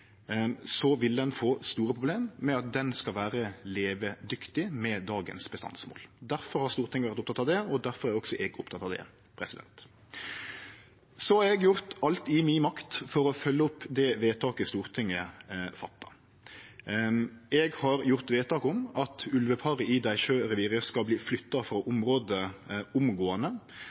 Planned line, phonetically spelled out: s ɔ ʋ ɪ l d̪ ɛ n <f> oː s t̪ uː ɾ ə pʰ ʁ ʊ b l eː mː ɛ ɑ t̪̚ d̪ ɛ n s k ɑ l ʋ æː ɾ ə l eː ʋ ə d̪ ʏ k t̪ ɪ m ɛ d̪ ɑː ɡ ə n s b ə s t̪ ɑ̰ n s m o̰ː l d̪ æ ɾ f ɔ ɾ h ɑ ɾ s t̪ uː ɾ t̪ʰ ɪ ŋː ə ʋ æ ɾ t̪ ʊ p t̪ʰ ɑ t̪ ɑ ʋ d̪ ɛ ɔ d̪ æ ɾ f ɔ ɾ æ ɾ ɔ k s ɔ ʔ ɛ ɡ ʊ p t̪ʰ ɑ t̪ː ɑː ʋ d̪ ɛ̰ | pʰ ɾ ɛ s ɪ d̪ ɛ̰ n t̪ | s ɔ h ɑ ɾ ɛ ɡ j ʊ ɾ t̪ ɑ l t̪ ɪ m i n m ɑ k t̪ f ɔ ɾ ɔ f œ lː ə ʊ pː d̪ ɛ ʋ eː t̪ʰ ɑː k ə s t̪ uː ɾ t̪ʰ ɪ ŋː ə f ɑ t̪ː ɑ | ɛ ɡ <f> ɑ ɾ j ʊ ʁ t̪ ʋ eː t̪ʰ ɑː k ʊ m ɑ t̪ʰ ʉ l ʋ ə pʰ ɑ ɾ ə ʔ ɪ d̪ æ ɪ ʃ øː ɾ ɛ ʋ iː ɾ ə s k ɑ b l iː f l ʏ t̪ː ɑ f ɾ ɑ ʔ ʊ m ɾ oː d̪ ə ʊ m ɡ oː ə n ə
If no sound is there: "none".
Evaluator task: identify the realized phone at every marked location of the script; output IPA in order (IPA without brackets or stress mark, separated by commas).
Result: f, h